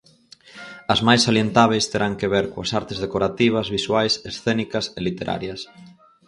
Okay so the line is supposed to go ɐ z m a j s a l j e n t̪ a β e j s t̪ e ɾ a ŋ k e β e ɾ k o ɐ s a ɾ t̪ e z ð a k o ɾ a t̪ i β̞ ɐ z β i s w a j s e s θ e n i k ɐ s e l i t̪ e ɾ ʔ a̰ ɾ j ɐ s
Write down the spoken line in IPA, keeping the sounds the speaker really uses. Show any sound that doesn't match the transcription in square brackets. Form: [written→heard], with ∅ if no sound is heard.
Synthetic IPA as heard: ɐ z m a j s a l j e n t̪ a β e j s t̪ e ɾ a ŋ k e β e ɾ k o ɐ s a ɾ t̪ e z ð [a→e] k o ɾ a t̪ i β̞ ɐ z β i s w a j s e s θ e n i k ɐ s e l i t̪ e ɾ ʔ a̰ ɾ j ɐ s